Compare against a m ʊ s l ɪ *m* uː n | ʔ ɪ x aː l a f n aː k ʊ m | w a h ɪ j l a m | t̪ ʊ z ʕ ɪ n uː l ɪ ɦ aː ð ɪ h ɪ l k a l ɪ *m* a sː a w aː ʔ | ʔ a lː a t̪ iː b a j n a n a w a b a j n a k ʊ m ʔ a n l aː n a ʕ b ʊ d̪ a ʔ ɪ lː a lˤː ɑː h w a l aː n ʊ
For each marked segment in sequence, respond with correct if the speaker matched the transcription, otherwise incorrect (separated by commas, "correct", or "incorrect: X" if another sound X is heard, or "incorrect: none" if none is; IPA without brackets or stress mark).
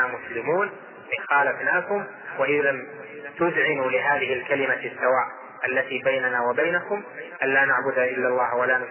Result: correct, correct